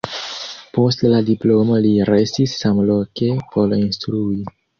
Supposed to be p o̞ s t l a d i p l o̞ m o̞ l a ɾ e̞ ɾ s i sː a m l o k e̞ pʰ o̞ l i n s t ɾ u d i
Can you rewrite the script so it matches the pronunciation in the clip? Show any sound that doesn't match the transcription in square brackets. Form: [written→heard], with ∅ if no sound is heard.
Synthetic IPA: p o̞ s t l a d i p l o̞ m o̞ l [a→i] ɾ e̞ [ɾ→∅] s i sː a m l o k e̞ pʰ o̞ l i n s t ɾ u [d→∅] i